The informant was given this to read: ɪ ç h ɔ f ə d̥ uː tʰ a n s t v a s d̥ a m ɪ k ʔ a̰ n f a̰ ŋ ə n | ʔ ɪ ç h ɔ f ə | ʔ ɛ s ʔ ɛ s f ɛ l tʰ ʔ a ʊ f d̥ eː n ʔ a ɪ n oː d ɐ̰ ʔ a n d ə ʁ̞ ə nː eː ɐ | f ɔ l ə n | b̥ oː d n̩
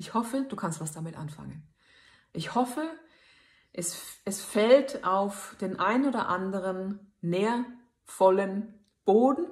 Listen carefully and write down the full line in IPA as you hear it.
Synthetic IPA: ɪ ç h ɔ f ə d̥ uː kʰ a n s t v a s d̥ a m ɪ t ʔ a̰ n f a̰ ŋ ə n | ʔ ɪ ç h ɔ f ə | ʔ ɛ s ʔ ɛ s f ɛ l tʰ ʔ a ʊ f d̥ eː n ʔ a ɪ n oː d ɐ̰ ʔ a n d ə ʁ̞ ə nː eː ɐ | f ɔ l ə n | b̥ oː d n̩

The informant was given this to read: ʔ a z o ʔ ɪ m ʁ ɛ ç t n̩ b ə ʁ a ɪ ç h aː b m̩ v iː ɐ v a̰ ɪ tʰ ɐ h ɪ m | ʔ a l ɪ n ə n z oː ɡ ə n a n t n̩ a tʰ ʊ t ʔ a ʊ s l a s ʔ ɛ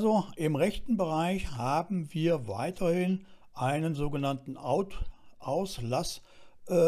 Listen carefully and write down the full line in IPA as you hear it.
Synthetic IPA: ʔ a z o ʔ ɪ m ʁ ɛ ç t n̩ b ə ʁ a ɪ ç h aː b m̩ v iː ɐ v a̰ ɪ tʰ ɐ h ɪ n | ʔ a ɪ n ə n z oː ɡ ə n a n t n̩ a ʊ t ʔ a ʊ s l a s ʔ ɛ

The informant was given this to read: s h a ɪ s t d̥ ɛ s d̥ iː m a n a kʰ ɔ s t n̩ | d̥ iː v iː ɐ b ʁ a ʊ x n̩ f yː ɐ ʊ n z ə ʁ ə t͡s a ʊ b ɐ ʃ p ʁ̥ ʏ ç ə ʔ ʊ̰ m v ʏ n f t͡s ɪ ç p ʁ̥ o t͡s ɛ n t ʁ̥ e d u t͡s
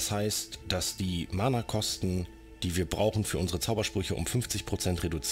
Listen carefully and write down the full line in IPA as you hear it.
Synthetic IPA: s h a ɪ s t d̥ a s d̥ iː m a n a kʰ ɔ s t n̩ | d̥ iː v iː ɐ b ʁ a ʊ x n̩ f yː ɐ ʊ n z ə ʁ ə t͡s a ʊ b ɐ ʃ p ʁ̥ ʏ ç ə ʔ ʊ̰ m f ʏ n f t͡s ɪ ç p ʁ̥ o t͡s ɛ n t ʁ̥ e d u t͡s

